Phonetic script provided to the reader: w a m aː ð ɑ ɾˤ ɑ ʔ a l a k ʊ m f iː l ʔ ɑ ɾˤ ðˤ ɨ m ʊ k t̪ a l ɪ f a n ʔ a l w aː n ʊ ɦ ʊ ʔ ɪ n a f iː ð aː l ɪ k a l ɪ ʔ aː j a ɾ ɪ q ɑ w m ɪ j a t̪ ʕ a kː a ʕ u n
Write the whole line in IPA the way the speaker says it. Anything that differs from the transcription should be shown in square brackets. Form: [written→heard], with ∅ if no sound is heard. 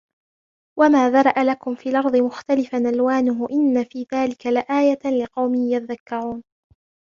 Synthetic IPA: w a m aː ð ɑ ɾˤ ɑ ʔ a l a k ʊ m f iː l ʔ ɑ ɾˤ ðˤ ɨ m ʊ [k→x] t̪ a l ɪ f a n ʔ a l w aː n ʊ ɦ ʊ ʔ ɪ [n→nː] a f iː ð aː l ɪ k a l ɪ ʔ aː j a [ɾ→l] ɪ q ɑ w m ɪ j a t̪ [ʕ→ð] a kː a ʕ [u→uː] n